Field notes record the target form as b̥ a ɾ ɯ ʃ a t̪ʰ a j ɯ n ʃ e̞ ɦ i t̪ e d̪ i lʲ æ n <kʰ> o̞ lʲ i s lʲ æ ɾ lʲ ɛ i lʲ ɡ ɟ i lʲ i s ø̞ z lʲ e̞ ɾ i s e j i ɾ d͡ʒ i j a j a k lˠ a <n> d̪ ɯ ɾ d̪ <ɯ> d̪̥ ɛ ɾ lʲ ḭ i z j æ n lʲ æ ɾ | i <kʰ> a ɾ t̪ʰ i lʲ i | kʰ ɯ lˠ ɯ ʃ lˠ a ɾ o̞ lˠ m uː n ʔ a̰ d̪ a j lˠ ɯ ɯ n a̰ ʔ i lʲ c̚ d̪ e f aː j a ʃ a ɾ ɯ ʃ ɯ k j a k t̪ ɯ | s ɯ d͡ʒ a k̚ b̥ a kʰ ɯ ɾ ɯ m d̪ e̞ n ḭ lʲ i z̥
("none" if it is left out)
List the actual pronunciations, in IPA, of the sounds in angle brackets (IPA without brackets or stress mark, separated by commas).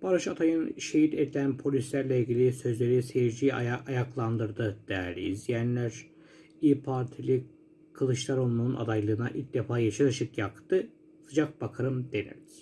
pʰ, n, ɯ, pʰ